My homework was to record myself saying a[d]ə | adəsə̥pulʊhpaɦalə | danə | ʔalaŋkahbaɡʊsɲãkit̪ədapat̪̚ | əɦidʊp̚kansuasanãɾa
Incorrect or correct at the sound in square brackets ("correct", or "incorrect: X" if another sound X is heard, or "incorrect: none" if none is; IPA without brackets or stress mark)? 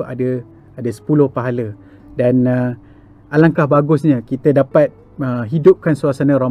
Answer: correct